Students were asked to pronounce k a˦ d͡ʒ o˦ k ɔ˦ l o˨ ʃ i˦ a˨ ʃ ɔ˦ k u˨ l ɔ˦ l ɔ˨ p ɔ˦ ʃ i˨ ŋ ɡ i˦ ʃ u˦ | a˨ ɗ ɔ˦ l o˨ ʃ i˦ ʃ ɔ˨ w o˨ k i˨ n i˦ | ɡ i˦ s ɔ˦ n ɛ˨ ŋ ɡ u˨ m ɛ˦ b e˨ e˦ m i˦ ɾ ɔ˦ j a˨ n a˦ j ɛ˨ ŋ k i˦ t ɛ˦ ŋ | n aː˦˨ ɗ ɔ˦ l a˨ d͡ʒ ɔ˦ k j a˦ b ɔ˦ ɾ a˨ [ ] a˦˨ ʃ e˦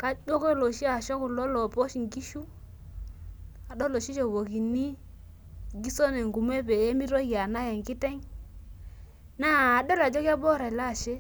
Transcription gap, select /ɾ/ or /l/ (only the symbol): l